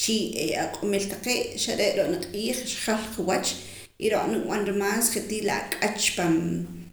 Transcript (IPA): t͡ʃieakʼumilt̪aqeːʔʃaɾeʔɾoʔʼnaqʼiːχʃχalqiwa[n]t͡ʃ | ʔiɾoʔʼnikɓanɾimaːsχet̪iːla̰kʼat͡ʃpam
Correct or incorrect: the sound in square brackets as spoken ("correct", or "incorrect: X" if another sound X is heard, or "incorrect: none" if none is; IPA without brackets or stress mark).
incorrect: none